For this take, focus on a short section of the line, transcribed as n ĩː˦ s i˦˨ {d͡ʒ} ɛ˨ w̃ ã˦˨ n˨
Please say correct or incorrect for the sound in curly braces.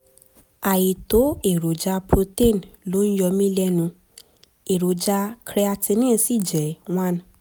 correct